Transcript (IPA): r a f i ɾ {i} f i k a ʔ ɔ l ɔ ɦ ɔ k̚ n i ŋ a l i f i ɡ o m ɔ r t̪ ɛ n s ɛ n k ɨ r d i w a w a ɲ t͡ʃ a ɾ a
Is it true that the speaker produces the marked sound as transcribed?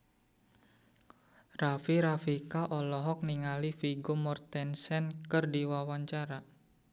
no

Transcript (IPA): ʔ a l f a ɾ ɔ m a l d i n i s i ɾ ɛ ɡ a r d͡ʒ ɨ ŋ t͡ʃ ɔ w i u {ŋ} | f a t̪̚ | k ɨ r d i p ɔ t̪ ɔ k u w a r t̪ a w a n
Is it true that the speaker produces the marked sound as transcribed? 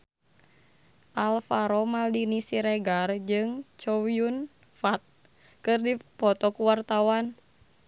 no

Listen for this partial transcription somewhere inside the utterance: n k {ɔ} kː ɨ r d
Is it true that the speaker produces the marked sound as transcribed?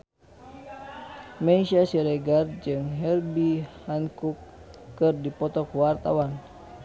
no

